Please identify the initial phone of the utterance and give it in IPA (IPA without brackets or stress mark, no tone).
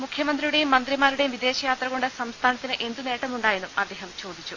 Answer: m